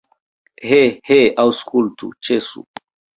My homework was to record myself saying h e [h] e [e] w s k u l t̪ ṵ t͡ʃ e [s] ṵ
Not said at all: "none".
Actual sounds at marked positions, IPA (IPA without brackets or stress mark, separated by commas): h, a, s